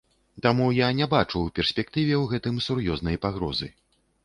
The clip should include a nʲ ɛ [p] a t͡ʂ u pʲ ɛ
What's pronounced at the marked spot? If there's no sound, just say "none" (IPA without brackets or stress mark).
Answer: b